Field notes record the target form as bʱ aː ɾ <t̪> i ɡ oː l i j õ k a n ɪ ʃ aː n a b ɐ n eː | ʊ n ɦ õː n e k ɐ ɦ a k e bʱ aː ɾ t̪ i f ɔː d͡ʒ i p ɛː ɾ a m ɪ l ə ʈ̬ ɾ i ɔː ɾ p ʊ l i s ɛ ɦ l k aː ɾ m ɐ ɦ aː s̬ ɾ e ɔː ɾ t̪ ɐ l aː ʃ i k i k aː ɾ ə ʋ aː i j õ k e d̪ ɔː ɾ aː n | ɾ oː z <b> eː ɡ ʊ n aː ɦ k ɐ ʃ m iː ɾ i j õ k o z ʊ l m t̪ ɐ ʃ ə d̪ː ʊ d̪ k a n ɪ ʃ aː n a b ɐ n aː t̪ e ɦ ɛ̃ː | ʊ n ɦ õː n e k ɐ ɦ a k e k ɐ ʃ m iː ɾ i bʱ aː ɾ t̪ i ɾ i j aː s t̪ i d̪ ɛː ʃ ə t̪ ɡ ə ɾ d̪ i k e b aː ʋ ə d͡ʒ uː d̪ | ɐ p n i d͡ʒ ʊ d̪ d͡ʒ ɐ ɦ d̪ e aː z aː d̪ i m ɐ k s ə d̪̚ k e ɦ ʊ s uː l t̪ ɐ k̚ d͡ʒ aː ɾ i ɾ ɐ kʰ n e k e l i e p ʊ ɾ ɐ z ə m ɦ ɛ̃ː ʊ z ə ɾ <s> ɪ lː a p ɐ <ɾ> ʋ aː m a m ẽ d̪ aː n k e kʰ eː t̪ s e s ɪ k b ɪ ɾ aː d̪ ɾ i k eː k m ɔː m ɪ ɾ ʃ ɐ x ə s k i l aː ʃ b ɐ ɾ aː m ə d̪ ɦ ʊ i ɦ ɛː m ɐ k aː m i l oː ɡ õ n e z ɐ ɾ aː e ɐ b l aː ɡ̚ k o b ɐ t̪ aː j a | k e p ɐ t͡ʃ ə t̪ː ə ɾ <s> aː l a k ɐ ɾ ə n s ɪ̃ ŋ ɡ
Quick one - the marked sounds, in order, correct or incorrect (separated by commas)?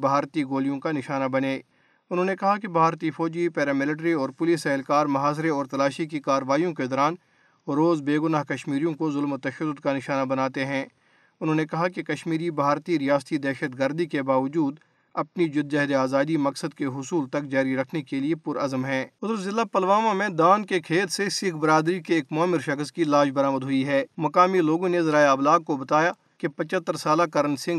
correct, correct, incorrect, incorrect, correct